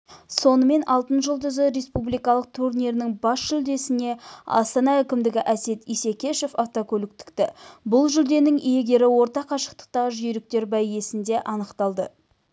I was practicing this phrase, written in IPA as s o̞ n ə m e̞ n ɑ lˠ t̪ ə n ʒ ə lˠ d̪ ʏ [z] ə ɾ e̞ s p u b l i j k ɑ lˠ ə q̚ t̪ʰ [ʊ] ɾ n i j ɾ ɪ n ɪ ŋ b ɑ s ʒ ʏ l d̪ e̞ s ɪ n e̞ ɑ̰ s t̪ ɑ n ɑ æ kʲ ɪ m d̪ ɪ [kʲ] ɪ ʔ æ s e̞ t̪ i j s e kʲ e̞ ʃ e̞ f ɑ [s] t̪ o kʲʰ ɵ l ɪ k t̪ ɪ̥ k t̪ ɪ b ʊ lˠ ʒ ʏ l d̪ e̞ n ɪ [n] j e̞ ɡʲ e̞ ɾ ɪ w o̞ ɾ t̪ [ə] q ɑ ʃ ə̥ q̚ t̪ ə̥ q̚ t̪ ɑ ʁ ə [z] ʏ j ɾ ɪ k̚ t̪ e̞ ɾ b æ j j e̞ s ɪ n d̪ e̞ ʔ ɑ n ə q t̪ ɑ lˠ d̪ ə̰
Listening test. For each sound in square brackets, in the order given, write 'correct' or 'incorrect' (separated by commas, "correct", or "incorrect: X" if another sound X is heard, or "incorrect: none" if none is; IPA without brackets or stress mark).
correct, incorrect: u, incorrect: ɡʲ, incorrect: f, incorrect: ŋ, incorrect: ɑ, incorrect: ʒ